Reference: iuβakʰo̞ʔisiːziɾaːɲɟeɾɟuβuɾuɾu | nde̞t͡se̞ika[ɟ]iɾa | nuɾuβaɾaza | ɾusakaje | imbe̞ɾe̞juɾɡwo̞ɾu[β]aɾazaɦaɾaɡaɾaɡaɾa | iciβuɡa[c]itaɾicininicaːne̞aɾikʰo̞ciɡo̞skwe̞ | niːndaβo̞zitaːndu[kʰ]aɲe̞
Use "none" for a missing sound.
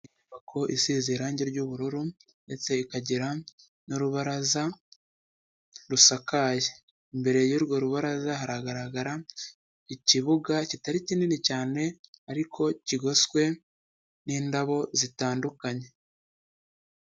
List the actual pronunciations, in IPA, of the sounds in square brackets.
ɟ, β, c, k

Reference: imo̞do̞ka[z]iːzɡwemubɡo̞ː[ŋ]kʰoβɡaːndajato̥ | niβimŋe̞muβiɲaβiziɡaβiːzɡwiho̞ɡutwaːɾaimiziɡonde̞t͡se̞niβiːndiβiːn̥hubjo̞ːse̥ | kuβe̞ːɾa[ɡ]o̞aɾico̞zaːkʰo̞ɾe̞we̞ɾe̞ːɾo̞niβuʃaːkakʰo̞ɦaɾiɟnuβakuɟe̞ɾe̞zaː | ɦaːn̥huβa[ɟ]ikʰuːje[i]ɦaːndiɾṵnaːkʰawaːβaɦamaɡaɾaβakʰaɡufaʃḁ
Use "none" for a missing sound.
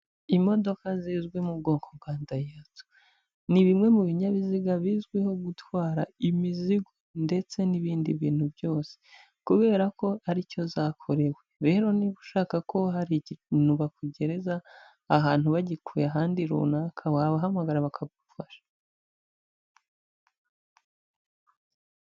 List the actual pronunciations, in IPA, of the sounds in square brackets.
z, ŋ, k, ɟ, a

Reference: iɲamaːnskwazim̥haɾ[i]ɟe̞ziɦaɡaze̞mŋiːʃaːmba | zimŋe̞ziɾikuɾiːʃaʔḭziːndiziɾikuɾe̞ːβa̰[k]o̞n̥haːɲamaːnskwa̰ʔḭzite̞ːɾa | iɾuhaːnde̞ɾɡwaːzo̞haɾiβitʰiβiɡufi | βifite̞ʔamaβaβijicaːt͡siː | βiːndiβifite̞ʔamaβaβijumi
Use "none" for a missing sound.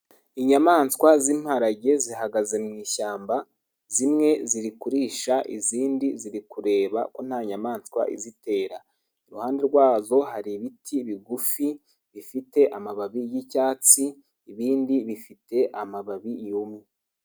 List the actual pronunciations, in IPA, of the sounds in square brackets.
a, k

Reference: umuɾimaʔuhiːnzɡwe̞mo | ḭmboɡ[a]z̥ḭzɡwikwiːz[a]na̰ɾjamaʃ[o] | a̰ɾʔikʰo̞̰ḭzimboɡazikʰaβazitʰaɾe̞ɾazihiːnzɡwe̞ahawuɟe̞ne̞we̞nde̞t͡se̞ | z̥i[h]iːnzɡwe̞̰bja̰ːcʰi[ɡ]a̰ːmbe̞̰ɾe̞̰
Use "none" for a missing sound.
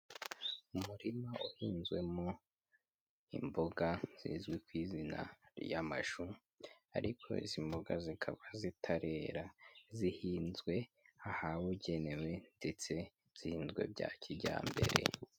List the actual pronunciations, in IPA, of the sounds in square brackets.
a, i, u, h, ɟ

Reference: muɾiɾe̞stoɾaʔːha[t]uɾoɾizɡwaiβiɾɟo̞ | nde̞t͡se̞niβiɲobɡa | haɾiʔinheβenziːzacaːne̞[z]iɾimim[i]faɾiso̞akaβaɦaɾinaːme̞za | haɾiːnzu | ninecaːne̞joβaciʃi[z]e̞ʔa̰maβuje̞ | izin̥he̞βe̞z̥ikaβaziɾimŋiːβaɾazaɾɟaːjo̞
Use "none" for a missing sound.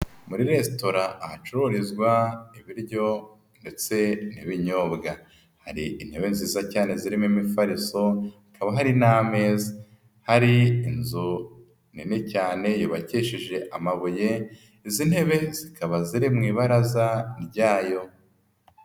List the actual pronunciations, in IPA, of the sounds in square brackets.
t͡ʃ, z, i, ʒ

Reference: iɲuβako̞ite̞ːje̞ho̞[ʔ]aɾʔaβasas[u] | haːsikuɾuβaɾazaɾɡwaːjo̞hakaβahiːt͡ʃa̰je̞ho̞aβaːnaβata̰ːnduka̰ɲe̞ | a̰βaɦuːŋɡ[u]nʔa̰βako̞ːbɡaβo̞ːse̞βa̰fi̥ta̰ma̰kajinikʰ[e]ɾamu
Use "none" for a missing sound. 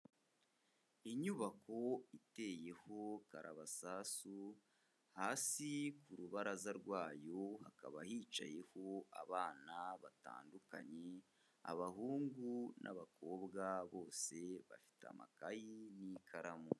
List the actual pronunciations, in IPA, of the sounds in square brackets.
k, u, u, a

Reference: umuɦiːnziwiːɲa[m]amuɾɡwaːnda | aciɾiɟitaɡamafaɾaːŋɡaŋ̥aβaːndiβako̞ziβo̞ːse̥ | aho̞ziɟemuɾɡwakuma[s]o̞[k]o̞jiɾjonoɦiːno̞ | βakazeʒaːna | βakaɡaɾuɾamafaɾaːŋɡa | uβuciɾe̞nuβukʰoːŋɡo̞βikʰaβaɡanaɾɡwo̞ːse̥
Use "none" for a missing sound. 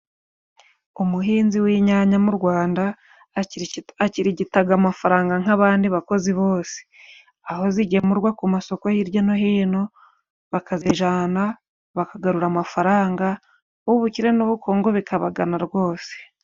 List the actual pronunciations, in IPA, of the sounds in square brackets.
ɲ, s, k

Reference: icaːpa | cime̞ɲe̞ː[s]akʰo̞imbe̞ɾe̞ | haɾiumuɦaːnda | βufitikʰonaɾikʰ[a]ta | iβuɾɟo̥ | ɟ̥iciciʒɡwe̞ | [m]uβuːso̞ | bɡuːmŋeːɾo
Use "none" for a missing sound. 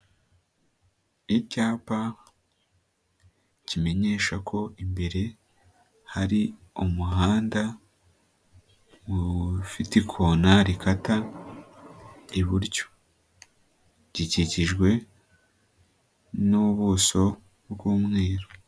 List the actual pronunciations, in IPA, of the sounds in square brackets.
ʃ, a, n

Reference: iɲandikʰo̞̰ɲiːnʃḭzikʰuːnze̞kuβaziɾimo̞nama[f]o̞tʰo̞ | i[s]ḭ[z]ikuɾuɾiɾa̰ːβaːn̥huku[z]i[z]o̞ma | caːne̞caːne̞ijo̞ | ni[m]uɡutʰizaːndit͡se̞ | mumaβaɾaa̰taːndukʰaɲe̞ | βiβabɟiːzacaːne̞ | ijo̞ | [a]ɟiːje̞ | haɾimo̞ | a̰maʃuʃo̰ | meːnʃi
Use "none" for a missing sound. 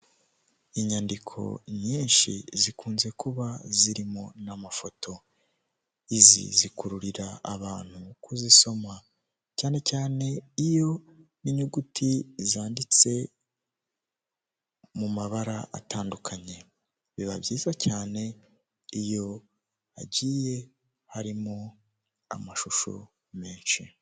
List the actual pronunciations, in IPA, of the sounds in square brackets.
f, z, z, z, s, ɲ, a

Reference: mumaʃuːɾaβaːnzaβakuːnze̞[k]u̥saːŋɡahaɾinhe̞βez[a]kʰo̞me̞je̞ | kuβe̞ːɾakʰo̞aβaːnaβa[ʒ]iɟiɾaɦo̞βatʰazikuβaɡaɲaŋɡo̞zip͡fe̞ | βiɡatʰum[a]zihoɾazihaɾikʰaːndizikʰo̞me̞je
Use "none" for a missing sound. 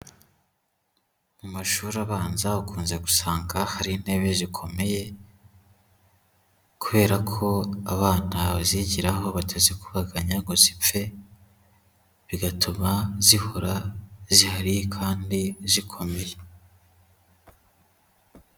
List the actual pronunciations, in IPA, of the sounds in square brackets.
ɡ, i, z, a

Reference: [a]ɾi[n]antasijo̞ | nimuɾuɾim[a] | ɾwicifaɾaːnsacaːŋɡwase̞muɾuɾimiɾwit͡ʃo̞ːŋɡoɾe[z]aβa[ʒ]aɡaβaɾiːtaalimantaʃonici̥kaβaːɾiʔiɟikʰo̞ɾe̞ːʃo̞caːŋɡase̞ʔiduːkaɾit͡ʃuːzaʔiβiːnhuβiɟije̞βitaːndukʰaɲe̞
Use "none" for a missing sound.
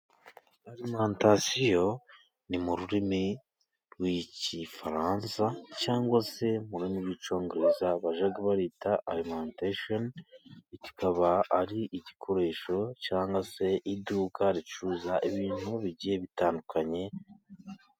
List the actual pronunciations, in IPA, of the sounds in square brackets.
a, m, i, z, ʒ

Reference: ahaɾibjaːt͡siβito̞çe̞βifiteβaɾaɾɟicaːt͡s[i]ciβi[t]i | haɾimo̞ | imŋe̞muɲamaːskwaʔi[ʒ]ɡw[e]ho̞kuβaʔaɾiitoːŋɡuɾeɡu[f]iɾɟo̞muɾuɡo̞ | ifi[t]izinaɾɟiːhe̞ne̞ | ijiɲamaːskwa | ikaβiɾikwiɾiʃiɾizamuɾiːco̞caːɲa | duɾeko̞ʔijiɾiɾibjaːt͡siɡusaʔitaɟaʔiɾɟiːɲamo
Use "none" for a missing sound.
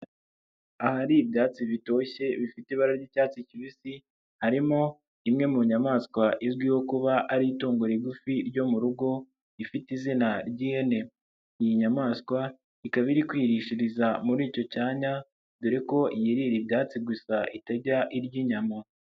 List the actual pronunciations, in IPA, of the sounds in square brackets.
i, s, z, i, f, t

